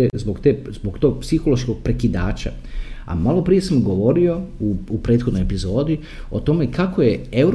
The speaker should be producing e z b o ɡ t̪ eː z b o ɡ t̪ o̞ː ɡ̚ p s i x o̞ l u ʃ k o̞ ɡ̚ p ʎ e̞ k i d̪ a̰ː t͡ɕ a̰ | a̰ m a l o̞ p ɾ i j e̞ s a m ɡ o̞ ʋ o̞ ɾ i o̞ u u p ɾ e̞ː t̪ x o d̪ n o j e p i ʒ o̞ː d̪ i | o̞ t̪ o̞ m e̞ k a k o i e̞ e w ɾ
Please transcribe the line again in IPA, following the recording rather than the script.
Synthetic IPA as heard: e z b o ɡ t̪ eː z b o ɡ t̪ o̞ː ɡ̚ p s i x o̞ l o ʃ k o̞ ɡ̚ p ɾ e̞ k i d̪ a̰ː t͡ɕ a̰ | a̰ m a l o̞ p ɾ i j e̞ s a m ɡ o̞ ʋ o̞ ɾ i o̞ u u p ɾ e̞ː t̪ x o d̪ n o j e p i z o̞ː d̪ i | o̞ t̪ o̞ m e̞ k a k o j e̞ e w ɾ